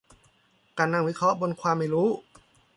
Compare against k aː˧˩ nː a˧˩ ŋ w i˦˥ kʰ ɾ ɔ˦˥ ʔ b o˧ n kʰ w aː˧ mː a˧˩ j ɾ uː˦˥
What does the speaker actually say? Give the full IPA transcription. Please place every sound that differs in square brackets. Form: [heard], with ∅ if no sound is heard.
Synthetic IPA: k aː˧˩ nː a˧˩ ŋ w i˦˥ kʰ ɾ ɔ˦˥ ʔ b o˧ n kʰ w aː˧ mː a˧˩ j ɾ uː˦˥